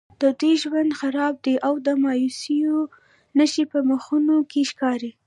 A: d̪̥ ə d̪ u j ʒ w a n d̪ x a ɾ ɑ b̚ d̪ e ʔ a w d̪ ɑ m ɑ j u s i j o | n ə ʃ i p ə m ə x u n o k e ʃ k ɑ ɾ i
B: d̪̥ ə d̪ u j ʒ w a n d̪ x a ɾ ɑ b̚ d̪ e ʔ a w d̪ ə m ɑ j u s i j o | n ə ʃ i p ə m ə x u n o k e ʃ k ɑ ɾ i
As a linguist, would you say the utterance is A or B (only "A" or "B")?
B